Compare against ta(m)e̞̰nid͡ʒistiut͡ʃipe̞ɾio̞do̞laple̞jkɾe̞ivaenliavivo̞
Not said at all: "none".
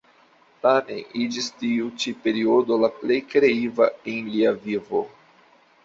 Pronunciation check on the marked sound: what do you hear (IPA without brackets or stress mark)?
m